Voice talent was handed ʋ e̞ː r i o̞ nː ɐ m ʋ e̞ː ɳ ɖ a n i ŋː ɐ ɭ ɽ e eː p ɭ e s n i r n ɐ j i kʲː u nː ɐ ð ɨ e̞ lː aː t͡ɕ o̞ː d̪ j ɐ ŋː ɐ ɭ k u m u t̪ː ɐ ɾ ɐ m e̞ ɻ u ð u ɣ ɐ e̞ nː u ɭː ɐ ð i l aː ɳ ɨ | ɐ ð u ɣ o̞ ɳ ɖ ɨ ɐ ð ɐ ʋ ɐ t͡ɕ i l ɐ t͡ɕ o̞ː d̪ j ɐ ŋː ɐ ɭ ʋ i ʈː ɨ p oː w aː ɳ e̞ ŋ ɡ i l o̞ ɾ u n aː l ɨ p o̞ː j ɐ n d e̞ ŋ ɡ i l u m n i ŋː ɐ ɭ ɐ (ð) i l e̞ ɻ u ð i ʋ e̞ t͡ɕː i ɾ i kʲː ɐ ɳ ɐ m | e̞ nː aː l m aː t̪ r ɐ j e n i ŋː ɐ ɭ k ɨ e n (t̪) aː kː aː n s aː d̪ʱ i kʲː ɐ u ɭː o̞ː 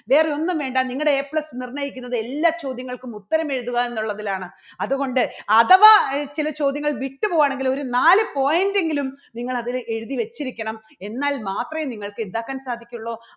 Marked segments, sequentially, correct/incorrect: correct, incorrect: d̪

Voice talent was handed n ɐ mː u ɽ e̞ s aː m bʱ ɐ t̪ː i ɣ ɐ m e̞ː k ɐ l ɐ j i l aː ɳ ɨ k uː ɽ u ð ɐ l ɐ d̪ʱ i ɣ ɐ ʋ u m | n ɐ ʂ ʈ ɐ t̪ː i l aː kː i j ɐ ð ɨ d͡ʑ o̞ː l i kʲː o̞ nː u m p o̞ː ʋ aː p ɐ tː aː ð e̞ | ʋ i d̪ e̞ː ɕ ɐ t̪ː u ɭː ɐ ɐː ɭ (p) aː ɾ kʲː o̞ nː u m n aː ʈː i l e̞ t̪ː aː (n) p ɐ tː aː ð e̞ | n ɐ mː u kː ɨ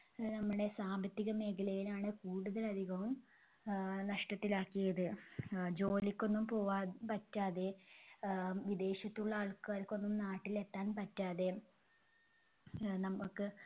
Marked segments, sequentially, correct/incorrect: incorrect: k, correct

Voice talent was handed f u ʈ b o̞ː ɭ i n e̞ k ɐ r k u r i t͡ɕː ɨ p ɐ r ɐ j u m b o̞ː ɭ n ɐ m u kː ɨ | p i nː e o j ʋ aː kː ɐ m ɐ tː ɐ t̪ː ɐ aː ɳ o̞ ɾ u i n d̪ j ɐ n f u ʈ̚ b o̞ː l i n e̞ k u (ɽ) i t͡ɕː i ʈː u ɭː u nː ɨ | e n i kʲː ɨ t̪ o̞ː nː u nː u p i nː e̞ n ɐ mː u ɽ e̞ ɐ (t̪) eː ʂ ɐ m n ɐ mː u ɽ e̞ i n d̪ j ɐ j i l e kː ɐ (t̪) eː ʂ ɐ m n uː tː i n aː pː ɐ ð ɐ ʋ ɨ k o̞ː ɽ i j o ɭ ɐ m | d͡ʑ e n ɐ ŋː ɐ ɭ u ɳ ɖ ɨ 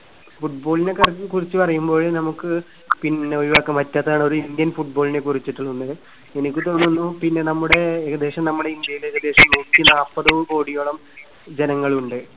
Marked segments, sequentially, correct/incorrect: incorrect: r, incorrect: d̪, incorrect: d̪

